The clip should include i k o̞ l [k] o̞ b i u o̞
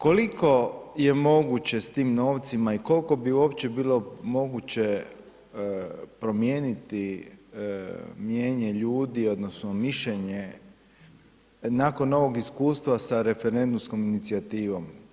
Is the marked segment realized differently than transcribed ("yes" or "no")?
no